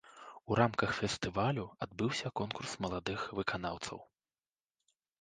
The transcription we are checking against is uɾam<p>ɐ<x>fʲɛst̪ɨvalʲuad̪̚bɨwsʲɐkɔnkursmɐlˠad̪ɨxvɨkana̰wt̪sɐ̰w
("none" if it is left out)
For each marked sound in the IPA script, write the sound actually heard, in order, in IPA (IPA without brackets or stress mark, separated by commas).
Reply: k, x